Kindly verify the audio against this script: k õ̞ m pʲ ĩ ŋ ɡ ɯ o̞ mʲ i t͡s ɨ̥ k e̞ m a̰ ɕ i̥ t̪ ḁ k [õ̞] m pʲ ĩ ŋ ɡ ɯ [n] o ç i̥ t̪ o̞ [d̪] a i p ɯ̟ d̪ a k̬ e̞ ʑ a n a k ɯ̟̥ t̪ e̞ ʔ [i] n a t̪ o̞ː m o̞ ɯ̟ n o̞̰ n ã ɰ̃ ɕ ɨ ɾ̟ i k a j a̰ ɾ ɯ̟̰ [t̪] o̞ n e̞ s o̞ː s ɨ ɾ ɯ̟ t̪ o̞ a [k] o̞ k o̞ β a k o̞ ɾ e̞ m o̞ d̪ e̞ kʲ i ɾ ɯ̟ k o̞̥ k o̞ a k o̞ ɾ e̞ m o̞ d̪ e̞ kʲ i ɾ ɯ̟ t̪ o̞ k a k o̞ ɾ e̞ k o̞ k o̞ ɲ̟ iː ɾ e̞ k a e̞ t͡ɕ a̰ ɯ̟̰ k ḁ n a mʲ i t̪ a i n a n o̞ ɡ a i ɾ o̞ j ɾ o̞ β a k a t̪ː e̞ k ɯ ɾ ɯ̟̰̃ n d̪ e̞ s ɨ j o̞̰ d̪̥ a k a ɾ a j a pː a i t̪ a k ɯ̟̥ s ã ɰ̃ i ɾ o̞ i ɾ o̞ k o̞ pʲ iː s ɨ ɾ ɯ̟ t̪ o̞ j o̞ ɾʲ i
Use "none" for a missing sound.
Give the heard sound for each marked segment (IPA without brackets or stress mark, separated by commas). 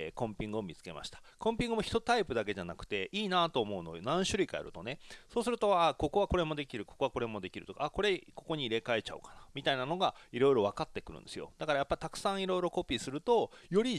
õ̞, m, t̪, iː, t̪, k